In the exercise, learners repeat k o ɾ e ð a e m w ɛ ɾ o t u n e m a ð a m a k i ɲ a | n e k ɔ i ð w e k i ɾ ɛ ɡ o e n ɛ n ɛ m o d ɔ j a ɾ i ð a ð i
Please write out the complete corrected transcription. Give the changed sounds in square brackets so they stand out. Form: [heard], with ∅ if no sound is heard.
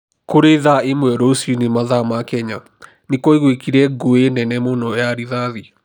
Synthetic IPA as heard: k o ɾ e ð a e m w ɛ ɾ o [s] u n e m a ð a m a k [ɛ] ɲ a | n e k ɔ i [ɣ] w e k i ɾ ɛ ɡ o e n ɛ n ɛ m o [n] ɔ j a ɾ i ð a ð i